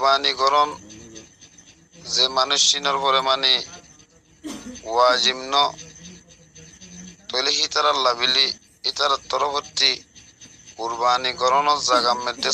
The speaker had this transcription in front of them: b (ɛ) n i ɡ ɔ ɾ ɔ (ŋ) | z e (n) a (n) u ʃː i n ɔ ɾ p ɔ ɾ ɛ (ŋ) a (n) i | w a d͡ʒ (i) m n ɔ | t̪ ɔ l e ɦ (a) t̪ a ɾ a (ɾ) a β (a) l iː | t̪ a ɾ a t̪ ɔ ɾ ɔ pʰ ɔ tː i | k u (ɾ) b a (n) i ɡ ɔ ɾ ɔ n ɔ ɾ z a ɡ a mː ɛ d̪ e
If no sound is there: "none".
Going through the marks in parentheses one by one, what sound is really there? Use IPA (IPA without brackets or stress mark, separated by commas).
a, n, m, n, m, n, i, i, l, i, ɾ, n